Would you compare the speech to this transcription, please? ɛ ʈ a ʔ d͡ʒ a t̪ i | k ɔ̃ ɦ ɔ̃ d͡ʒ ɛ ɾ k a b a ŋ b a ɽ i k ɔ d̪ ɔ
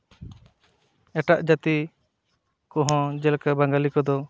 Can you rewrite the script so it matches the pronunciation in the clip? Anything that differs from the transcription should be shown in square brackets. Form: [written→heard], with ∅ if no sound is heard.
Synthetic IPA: ɛ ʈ a ʔ d͡ʒ a t̪ i | k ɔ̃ ɦ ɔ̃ d͡ʒ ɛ [ɾ→l] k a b a ŋ [b→ɡ] a [ɽ→l] i k ɔ d̪ ɔ